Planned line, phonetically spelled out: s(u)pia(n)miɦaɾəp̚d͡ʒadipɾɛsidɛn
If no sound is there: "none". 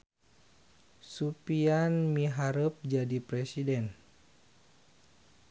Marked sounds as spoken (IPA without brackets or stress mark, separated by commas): u, n